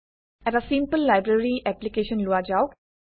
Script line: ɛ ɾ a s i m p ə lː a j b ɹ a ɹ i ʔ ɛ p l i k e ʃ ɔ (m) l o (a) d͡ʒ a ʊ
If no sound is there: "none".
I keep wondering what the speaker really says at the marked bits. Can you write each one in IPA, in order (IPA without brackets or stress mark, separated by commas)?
n, a